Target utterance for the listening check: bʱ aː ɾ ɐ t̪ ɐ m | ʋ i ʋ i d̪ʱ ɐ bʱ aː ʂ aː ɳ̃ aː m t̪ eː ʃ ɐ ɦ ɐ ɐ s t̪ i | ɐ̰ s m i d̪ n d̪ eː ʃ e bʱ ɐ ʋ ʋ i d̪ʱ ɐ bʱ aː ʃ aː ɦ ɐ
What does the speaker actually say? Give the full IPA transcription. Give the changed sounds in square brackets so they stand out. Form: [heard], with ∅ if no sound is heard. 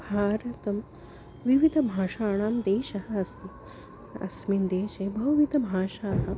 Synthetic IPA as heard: bʱ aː ɾ ɐ t̪ ɐ m | ʋ i ʋ i d̪ʱ ɐ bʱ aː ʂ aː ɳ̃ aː m [d̪] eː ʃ ɐ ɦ ɐ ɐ s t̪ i | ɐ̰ s m i [∅] n d̪ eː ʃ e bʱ ɐ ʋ ʋ i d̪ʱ ɐ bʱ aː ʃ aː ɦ ɐ